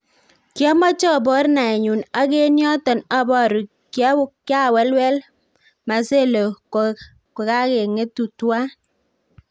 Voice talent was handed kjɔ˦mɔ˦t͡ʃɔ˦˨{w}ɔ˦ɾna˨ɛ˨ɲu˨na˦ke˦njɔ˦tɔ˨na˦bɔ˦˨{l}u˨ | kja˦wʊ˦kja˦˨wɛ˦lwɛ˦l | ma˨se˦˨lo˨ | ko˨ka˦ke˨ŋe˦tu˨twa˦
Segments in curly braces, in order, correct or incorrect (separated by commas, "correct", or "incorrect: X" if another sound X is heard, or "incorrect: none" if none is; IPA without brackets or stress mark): incorrect: b, incorrect: ɾ